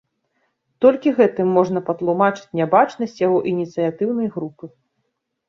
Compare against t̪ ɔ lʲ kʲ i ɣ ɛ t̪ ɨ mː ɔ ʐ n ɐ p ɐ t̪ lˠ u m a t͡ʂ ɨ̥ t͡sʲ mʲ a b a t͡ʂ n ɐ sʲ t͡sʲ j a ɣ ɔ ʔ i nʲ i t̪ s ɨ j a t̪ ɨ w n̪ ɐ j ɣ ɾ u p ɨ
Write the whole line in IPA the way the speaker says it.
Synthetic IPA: t̪ ɔ lʲ kʲ i ɣ ɛ t̪ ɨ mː ɔ ʐ n ɐ p ɐ t̪ lˠ u m a t͡ʂ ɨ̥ t͡sʲ nʲ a b a t͡ʂ n ɐ sʲ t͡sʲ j a ɣ ɔ ʔ i nʲ i t̪ s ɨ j a t̪ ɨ w n̪ ɐ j ɣ ɾ u p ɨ